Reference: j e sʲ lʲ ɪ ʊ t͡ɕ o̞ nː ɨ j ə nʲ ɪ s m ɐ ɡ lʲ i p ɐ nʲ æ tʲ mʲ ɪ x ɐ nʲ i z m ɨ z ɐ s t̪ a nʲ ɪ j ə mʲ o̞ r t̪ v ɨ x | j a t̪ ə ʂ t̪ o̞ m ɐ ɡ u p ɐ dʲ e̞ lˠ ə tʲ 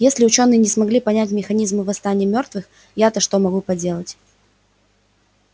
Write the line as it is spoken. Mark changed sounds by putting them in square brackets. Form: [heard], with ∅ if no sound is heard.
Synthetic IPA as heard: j e sʲ lʲ ɪ ʊ t͡ɕ o̞ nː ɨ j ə nʲ ɪ s m ɐ ɡ lʲ i p ɐ nʲ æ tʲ mʲ ɪ x ɐ nʲ i z m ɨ [v] ɐ s t̪ a nʲ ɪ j ə mʲ o̞ r t̪ v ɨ x | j a t̪ ə ʂ t̪ o̞ m ɐ ɡ u p ɐ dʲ e̞ lˠ ə tʲ